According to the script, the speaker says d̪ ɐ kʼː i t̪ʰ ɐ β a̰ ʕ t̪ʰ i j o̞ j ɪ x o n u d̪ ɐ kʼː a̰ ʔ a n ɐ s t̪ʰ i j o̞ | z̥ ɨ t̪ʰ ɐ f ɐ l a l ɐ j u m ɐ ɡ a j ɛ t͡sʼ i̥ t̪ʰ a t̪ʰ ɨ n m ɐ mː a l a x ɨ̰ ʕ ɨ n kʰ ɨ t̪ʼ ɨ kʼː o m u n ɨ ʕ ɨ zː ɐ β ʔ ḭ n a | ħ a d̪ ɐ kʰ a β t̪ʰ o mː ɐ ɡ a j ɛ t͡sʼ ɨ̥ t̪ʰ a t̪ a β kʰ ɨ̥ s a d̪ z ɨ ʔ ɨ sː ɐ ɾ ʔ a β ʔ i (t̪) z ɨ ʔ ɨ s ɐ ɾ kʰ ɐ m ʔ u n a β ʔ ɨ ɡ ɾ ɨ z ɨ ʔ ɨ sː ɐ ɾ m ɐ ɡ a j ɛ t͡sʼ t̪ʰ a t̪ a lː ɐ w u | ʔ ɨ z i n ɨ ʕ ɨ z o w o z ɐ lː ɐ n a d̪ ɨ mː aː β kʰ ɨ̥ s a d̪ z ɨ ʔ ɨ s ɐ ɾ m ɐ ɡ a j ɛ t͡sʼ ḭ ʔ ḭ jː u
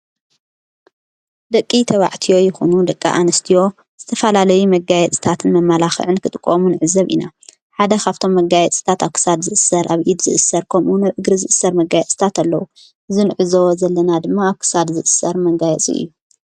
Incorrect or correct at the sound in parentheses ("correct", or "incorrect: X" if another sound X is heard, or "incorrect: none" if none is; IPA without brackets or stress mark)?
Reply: incorrect: d̪